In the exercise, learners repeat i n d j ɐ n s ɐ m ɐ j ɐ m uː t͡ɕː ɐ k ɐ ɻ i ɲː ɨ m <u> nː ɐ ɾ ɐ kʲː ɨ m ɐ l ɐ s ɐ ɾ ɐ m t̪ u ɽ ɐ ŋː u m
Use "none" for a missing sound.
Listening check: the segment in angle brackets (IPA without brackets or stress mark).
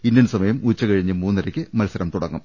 uː